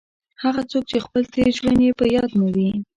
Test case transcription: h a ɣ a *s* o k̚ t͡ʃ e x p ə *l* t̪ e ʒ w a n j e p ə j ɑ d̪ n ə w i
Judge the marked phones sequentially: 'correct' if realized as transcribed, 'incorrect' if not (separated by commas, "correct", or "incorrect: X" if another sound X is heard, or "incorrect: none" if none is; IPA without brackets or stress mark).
incorrect: t͡s, correct